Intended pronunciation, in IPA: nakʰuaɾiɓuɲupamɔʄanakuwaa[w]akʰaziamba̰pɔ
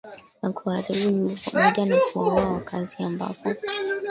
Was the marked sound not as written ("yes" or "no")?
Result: no